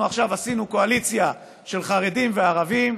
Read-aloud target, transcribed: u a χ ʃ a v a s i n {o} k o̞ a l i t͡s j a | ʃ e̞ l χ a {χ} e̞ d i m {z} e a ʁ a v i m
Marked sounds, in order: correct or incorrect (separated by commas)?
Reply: incorrect, incorrect, incorrect